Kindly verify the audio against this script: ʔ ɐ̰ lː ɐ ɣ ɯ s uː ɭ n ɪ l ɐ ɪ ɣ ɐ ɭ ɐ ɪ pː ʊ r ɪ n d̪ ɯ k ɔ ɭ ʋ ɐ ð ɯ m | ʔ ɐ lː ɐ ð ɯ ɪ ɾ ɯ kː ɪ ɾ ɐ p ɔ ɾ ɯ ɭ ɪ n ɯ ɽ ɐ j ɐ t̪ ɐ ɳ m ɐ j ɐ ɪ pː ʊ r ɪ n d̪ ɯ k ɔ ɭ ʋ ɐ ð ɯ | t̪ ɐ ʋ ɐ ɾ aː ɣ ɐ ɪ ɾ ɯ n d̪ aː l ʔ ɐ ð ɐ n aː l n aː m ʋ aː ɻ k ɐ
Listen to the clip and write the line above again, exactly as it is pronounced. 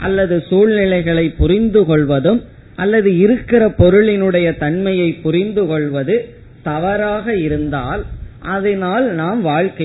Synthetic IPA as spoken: ʔ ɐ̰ lː ɐ ð ɯ s uː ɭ n ɪ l ɐ ɪ ɣ ɐ ɭ ɐ ɪ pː ʊ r ɪ n d̪ ɯ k ɔ ɭ ʋ ɐ ð ɯ m | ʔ ɐ lː ɐ ð ɯ ɪ ɾ ɯ kː ɪ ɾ ɐ p ɔ ɾ ɯ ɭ ɪ n ɯ ɽ ɐ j ɐ t̪ ɐ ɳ m ɐ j ɐ ɪ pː ʊ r ɪ n d̪ ɯ k ɔ ɭ ʋ ɐ ð ɯ | t̪ ɐ ʋ ɐ ɾ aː ɣ ɐ ɪ ɾ ɯ n d̪ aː l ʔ ɐ ð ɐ n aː l n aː m ʋ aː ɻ k ɐ